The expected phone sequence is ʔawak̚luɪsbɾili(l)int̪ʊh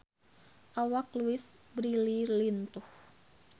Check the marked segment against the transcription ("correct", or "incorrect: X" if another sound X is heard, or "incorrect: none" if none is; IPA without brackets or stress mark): correct